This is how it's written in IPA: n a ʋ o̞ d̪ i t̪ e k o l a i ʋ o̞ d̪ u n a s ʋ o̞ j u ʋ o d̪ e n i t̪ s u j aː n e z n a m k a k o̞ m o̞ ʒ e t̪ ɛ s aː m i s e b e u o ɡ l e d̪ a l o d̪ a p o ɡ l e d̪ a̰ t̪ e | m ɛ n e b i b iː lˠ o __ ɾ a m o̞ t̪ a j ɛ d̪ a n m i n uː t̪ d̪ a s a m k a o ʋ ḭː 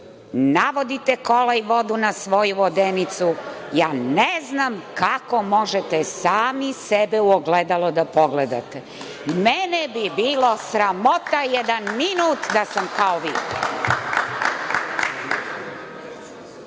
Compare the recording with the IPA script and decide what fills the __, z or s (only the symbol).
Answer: s